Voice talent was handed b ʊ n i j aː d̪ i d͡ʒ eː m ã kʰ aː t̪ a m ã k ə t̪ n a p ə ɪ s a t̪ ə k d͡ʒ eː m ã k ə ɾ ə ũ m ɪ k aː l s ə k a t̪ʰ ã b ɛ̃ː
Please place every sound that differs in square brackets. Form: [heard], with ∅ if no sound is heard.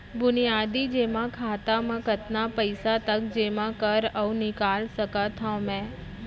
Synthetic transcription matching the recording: b ʊ n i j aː d̪ i d͡ʒ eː m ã kʰ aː t̪ a m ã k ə t̪ n a p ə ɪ s a t̪ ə k d͡ʒ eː m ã k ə ɾ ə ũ [n] ɪ k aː l s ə k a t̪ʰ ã [m] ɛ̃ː